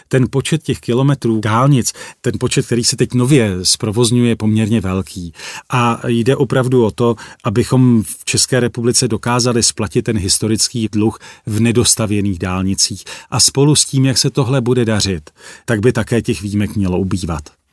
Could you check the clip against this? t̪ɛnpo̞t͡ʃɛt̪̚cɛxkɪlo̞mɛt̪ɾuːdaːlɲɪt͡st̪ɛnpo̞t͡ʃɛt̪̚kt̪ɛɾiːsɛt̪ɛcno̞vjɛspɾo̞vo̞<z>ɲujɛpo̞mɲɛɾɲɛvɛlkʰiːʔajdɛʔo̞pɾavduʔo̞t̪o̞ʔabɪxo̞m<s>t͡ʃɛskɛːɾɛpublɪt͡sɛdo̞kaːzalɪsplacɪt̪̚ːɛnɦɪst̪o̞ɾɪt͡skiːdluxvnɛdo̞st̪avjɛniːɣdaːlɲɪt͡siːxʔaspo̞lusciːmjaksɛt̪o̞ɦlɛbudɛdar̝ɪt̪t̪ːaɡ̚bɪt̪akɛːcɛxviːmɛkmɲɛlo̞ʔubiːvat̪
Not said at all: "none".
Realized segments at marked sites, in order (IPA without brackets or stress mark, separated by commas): z, f